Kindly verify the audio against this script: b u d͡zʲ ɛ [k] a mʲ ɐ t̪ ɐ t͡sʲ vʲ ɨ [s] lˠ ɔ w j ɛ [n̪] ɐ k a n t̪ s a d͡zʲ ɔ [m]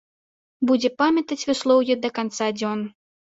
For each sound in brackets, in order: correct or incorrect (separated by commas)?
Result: incorrect, correct, incorrect, incorrect